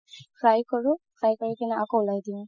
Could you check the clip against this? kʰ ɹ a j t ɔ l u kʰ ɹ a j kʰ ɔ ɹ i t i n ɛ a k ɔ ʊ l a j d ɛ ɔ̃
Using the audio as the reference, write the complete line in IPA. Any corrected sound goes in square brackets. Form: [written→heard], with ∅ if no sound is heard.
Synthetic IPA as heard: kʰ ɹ a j [t→k] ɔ [l→ɹ] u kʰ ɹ a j [kʰ→k] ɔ ɹ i [t→k] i n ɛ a k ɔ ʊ l a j d [ɛ→i] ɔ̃